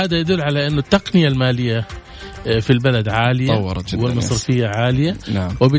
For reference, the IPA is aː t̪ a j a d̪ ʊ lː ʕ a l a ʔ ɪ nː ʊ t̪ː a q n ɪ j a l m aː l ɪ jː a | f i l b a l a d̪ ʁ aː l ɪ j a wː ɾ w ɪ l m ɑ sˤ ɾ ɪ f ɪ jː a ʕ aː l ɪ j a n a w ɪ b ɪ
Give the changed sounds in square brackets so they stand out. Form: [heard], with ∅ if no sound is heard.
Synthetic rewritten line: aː [d̪] a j a d̪ ʊ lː ʕ a l a ʔ ɪ nː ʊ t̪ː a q n ɪ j a l m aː l ɪ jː a | f i l b a l a d̪ [ʕ] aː l ɪ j a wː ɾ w ɪ l m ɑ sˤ ɾ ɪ f ɪ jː a ʕ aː l ɪ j a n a w ɪ b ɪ